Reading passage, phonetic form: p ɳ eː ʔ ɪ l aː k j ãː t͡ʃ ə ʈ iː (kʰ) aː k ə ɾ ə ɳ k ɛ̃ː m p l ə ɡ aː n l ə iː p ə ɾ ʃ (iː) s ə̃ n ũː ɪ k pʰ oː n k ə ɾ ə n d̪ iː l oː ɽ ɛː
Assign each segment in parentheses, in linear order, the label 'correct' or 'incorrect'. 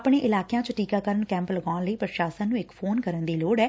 incorrect, incorrect

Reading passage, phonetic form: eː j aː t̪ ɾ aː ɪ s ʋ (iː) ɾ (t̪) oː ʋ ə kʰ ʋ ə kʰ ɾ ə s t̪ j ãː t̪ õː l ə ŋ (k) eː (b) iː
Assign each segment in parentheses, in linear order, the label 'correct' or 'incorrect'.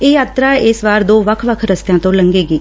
incorrect, incorrect, incorrect, incorrect

